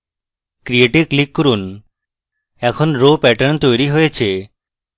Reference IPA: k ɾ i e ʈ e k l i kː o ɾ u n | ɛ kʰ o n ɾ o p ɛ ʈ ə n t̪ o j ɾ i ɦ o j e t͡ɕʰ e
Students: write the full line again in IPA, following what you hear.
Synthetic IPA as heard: k ɾ i e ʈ e k l i kː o ɾ u n | ɛ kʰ o n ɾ o p ɛ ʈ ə n t̪ o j ɾ i ɦ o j e t͡ɕʰ e